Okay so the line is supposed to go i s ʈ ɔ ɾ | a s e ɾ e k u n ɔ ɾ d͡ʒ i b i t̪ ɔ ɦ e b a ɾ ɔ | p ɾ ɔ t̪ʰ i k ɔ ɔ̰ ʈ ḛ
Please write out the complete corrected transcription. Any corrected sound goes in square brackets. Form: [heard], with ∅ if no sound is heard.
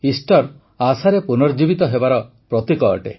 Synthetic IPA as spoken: i s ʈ ɔ ɾ | a s [a] ɾ e [p] u n ɔ ɾ d͡ʒ i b i t̪ ɔ ɦ e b a ɾ ɔ | p ɾ ɔ [t̪] i k ɔ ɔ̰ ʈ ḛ